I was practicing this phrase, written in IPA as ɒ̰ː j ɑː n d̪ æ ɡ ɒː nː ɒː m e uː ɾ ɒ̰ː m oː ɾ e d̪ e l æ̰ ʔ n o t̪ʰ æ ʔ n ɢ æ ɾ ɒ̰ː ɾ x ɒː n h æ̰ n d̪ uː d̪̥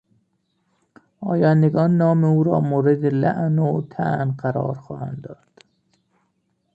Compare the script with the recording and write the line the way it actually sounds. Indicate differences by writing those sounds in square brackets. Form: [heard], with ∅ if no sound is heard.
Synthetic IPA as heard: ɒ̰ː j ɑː n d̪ [e] ɡ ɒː nː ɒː m e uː ɾ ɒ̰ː m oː ɾ e d̪ e l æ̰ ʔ n o t̪ʰ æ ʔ n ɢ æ ɾ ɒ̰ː ɾ x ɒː [∅] h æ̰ n d̪ [ɒː] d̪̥